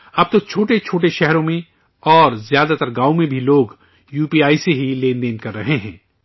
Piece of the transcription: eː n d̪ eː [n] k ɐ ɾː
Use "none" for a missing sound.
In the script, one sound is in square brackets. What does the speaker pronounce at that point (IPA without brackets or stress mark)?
n